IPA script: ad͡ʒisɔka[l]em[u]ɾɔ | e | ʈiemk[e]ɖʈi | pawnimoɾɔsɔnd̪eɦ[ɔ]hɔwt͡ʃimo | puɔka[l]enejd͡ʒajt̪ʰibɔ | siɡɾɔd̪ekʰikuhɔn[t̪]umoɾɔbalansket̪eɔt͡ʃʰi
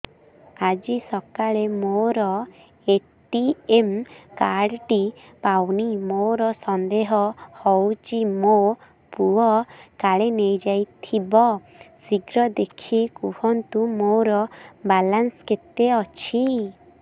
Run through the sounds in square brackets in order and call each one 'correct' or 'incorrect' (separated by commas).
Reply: incorrect, incorrect, incorrect, correct, incorrect, correct